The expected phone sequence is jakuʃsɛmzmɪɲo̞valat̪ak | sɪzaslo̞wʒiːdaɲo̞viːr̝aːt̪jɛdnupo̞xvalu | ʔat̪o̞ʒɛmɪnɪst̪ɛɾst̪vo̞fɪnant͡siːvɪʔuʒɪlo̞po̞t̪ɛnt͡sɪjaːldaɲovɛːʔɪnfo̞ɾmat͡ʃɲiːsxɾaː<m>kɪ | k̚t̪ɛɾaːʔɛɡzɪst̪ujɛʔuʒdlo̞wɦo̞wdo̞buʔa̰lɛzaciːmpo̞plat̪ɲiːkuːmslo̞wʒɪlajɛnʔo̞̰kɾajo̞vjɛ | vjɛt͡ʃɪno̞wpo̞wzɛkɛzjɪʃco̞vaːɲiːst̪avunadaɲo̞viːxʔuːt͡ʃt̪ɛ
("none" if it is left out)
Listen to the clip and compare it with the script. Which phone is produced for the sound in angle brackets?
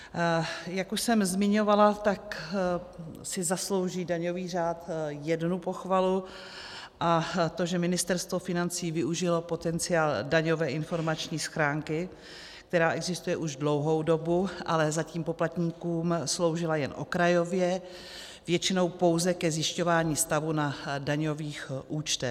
ŋ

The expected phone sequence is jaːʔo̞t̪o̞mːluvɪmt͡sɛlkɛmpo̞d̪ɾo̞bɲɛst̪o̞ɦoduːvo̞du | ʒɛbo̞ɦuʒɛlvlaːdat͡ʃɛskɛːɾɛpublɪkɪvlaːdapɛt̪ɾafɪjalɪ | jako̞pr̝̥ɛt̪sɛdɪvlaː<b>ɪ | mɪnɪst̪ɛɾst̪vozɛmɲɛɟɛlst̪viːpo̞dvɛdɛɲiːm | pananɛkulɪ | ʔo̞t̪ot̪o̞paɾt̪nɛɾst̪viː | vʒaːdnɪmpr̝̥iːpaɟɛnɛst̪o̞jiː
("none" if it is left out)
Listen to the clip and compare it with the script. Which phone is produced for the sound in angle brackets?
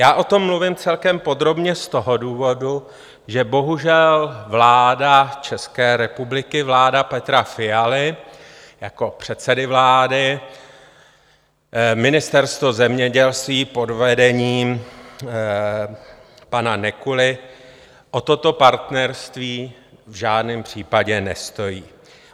d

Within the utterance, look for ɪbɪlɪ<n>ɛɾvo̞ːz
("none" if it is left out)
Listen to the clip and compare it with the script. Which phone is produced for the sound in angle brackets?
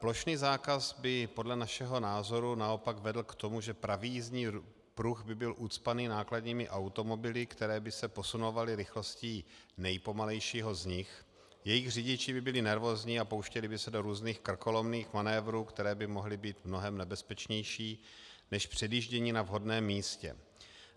n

